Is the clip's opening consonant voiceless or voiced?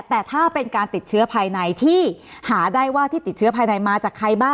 voiceless